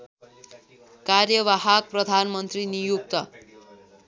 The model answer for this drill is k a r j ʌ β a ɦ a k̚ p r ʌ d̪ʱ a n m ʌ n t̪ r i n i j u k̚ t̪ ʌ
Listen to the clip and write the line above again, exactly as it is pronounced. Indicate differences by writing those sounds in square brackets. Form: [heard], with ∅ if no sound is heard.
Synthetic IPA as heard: k a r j ʌ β a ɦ a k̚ p r ʌ d̪ʱ a n m ʌ n t̪ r i n i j u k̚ t̪ ʌ